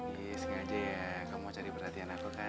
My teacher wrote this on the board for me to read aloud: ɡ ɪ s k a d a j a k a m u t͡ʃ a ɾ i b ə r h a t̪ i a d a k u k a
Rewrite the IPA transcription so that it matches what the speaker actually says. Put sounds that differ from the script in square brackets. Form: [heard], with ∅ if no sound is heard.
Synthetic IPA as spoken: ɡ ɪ s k a [d͡ʒ] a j a k a m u t͡ʃ a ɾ i [p] ə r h a t̪ i a [n] a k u k a